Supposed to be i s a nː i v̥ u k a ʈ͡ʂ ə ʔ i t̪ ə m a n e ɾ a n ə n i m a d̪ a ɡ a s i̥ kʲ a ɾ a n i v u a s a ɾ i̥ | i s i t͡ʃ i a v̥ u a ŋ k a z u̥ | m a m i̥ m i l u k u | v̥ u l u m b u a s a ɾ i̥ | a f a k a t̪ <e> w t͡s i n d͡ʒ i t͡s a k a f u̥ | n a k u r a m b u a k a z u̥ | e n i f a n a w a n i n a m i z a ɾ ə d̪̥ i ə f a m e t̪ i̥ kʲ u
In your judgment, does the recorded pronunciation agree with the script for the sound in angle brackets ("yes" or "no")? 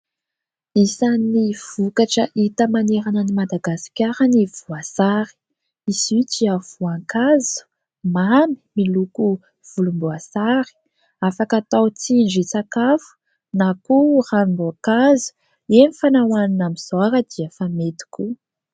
no